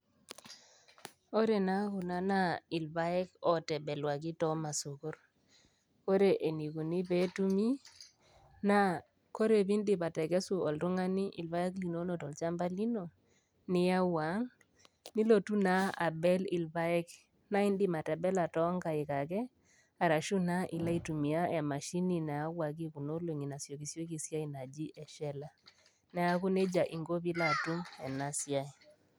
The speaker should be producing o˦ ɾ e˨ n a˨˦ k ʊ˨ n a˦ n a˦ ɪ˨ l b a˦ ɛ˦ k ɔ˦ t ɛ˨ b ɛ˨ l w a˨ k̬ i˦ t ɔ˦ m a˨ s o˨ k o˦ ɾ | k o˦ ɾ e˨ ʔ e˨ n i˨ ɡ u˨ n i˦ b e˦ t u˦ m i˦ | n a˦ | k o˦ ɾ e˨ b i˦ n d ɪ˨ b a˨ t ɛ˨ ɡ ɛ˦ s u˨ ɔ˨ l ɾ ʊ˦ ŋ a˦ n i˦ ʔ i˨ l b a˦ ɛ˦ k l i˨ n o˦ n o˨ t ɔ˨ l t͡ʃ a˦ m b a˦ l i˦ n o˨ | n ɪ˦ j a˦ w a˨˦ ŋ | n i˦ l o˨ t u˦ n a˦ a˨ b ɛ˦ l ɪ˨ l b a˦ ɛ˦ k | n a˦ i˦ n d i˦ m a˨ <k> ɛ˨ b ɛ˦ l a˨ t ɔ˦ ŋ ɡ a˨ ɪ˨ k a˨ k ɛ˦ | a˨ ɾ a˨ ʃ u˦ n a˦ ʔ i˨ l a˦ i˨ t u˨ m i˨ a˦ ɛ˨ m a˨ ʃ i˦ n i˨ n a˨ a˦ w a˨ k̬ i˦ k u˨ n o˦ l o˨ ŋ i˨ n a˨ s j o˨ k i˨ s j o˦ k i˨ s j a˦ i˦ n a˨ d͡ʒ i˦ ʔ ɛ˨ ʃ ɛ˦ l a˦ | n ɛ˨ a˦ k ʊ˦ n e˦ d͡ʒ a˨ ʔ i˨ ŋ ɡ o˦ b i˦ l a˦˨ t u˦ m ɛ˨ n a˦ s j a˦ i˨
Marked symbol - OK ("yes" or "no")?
no